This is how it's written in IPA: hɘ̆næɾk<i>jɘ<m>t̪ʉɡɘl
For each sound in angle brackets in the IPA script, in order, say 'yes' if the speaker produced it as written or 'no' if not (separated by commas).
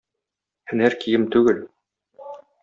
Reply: yes, yes